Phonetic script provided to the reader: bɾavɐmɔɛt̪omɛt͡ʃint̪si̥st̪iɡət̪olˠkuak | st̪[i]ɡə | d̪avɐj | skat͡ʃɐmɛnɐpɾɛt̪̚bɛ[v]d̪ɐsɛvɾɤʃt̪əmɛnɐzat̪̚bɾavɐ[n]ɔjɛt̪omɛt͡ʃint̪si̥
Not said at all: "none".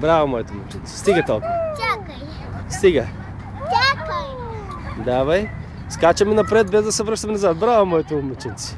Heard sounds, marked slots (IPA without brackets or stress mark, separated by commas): i, z, m